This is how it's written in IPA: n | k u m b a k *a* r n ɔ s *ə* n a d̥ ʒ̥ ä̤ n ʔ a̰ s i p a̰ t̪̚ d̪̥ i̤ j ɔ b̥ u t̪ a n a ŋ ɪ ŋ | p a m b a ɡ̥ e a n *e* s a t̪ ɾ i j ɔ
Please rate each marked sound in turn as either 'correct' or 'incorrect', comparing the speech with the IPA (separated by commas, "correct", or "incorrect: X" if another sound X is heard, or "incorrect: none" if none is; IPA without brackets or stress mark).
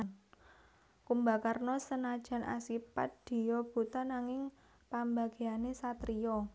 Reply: correct, correct, correct